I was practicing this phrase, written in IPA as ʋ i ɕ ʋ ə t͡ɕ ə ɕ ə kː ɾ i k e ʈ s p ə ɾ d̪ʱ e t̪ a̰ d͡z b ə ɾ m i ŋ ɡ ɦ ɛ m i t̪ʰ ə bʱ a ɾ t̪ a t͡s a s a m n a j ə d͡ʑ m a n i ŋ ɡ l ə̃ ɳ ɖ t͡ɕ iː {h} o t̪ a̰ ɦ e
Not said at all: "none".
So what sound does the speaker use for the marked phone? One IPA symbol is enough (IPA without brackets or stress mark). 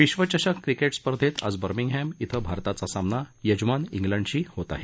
h